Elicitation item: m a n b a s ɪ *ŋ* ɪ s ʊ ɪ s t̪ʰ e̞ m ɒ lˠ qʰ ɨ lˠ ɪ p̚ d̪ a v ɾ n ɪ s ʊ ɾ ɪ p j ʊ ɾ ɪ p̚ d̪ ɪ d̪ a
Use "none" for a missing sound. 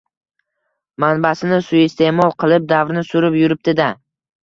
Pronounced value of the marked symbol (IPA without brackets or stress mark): n